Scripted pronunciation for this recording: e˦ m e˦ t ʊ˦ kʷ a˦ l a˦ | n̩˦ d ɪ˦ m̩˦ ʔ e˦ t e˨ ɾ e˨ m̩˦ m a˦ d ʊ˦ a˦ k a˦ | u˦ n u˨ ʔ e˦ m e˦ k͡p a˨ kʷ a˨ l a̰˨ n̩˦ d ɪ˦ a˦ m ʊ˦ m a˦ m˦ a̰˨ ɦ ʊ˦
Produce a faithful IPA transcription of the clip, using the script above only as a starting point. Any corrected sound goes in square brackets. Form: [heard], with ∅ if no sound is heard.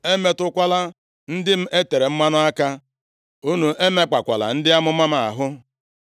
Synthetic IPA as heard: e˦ m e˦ t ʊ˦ kʷ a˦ l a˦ | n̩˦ d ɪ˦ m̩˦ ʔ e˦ t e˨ ɾ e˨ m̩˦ m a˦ [n] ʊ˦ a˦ k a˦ | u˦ n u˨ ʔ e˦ m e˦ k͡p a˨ kʷ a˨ l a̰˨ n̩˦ d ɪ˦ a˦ m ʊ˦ m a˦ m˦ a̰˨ ɦ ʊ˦